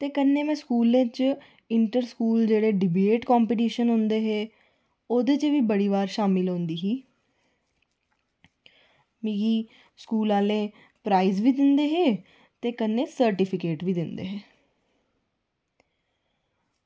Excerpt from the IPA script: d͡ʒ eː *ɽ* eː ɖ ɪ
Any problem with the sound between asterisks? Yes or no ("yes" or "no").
no